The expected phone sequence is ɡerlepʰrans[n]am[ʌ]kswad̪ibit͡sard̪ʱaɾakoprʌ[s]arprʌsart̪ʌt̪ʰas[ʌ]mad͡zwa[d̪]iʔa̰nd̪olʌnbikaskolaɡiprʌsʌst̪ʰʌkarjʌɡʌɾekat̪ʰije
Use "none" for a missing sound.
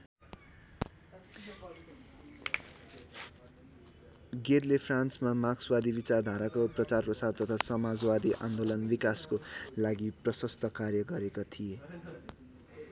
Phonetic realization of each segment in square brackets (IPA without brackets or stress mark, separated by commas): m, a, t͡s, ʌ, d̪